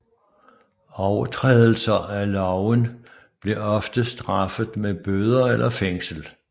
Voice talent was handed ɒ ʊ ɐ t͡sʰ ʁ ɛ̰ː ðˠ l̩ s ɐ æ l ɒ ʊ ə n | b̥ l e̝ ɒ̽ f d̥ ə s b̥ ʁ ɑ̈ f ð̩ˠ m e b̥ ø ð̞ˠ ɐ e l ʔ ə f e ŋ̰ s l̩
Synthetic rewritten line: ɒ ʊ ɐ t͡sʰ ʁ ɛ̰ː ðˠ l̩ s ɐ æ l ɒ ʊ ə n | b̥ l e̝ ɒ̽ f d̥ ə s d̥ ʁ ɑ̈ f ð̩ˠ m e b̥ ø ð̞ˠ ɐ e l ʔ ɐ f e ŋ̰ s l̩